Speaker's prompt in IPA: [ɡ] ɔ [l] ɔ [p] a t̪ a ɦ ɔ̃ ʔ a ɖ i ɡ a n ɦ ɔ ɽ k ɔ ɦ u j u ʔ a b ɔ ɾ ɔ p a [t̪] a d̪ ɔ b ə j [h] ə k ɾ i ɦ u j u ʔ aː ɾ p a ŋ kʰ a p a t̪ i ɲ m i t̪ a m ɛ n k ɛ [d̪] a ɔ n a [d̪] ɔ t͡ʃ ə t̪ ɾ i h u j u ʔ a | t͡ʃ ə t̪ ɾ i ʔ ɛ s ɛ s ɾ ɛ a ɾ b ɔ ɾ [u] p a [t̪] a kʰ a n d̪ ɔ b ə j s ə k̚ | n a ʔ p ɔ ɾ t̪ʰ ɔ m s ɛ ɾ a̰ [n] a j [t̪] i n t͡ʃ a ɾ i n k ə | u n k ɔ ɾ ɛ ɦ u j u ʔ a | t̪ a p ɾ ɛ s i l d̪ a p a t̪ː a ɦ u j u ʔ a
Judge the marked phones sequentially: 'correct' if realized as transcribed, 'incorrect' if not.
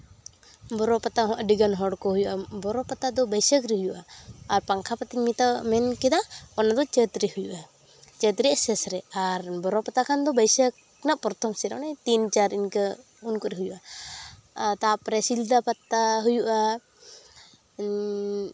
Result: incorrect, incorrect, correct, correct, incorrect, correct, correct, incorrect, correct, correct, correct

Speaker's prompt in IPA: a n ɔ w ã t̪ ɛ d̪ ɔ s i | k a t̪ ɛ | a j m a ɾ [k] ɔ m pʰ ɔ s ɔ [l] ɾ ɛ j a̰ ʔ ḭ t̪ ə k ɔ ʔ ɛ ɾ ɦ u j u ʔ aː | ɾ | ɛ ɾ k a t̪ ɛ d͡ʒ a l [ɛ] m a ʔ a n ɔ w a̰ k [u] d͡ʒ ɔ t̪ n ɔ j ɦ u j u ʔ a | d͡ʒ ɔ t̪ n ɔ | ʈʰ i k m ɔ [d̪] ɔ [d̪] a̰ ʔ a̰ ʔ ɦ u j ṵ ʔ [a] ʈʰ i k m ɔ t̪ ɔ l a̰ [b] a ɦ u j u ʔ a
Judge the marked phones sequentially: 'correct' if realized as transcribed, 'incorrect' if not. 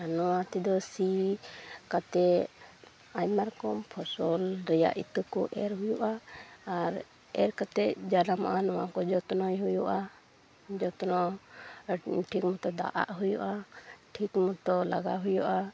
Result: correct, correct, incorrect, incorrect, incorrect, correct, correct, incorrect

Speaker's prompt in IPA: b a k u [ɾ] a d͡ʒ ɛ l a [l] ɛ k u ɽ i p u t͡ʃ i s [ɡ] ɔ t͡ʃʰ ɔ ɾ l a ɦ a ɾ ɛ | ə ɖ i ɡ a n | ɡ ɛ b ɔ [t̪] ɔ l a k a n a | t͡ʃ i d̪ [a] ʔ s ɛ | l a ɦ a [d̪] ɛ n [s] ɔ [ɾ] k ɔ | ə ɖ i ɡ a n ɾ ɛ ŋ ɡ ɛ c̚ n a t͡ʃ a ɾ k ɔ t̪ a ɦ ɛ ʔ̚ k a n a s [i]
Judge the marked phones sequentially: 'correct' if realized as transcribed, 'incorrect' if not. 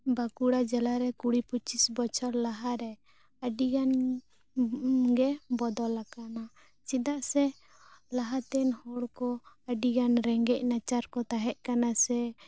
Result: incorrect, incorrect, incorrect, incorrect, correct, incorrect, incorrect, incorrect, incorrect

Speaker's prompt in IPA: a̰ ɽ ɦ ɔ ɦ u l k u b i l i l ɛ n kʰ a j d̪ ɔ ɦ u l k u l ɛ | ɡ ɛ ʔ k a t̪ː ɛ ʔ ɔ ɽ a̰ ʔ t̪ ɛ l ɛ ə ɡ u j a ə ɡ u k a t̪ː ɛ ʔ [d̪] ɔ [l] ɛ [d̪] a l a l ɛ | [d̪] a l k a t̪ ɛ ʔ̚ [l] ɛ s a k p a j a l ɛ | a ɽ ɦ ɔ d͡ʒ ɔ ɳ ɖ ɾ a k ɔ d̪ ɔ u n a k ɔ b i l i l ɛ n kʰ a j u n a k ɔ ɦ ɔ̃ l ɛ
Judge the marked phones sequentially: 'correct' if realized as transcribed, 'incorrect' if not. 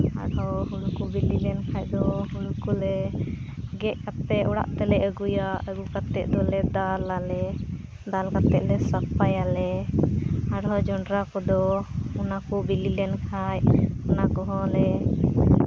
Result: correct, correct, correct, correct, correct

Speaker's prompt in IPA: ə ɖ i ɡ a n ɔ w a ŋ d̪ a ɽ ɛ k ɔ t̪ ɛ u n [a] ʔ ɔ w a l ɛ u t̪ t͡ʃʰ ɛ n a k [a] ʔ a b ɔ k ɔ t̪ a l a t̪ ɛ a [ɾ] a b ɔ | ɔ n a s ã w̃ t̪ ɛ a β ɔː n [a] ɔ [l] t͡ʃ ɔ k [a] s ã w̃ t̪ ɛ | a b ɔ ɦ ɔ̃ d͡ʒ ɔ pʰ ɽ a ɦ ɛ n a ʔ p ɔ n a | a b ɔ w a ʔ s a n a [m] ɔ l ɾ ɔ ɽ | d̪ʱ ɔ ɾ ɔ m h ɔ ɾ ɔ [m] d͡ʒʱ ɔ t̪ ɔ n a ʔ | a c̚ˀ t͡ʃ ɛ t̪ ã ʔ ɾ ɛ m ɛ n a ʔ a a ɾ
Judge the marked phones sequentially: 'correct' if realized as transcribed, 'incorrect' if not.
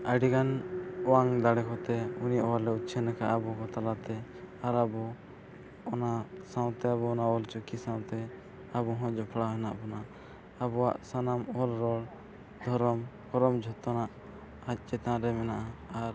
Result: incorrect, correct, correct, correct, correct, incorrect, correct, correct

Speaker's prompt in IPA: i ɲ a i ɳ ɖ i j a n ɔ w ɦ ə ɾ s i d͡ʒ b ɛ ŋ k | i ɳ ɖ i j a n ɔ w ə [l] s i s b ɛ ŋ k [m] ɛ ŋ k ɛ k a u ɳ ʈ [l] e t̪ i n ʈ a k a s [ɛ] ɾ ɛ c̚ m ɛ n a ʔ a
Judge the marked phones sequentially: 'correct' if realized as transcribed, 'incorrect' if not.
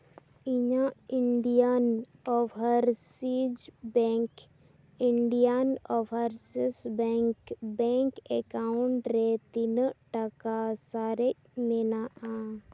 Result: incorrect, incorrect, incorrect, incorrect

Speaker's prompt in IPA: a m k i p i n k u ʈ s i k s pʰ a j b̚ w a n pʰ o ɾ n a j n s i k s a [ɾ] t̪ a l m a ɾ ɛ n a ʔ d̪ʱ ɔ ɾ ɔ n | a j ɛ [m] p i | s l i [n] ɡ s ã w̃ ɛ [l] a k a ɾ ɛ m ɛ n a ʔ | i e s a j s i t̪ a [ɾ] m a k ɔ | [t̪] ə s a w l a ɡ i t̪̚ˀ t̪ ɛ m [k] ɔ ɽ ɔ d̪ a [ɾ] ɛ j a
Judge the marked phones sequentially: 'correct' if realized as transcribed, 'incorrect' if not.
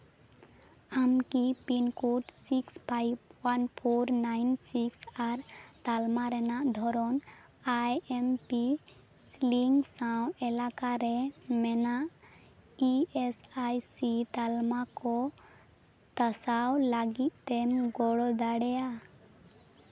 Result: correct, correct, incorrect, correct, incorrect, correct, incorrect, incorrect

